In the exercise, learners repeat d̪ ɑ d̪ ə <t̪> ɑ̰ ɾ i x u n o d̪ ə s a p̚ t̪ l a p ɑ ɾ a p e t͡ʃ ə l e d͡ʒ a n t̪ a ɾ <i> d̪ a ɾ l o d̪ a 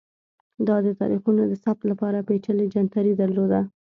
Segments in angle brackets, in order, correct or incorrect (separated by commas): correct, correct